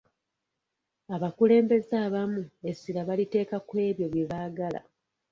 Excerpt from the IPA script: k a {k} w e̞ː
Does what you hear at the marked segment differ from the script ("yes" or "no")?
no